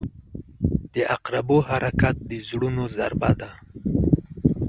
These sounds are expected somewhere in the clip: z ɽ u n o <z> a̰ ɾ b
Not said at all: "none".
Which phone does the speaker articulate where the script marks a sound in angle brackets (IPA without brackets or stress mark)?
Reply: z